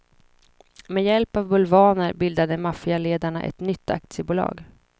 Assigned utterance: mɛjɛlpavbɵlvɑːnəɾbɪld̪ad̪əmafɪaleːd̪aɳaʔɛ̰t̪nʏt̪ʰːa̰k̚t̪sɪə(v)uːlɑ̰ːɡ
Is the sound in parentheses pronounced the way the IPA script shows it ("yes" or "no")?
no